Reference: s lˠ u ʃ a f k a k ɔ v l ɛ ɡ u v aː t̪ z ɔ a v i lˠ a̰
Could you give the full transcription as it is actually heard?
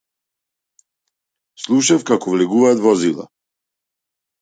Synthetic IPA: s lˠ u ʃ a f k a k ɔ v l ɛ ɡ u v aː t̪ v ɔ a z i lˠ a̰